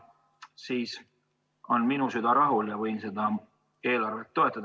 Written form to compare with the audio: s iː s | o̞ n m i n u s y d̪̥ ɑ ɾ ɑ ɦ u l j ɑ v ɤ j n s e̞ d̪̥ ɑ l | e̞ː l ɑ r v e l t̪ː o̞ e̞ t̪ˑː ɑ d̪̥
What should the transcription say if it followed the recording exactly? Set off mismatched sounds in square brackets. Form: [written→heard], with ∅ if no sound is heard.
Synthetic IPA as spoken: s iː s | o̞ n m i n u s y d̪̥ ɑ ɾ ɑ ɦ u l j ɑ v ɤ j n s e̞ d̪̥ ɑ [l→∅] | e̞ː l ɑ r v e l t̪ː o̞ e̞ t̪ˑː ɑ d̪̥